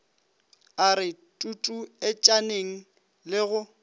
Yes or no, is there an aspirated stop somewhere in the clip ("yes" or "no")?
no